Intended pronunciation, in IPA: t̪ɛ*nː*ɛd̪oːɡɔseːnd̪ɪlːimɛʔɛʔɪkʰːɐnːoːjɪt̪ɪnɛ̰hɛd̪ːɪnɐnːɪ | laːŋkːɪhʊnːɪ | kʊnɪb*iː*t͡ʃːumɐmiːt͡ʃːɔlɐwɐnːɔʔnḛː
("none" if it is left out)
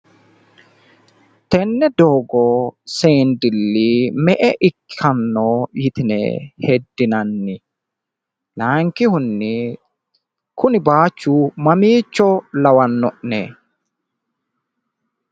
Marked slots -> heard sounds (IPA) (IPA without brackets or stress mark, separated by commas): nː, aː